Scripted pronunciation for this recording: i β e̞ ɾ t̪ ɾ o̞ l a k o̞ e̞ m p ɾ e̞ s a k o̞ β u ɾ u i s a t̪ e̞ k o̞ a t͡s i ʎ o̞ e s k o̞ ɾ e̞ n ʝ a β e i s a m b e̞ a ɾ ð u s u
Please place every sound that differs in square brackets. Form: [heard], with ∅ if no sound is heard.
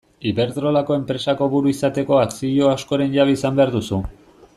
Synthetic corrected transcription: i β e̞ ɾ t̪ ɾ o̞ l a k o̞ e̞ m p ɾ e̞ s a k o̞ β u ɾ u i s a t̪ e̞ k o̞ a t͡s i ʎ o̞ [a] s k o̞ ɾ e̞ n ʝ a β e i s a m b e̞ a ɾ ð u s u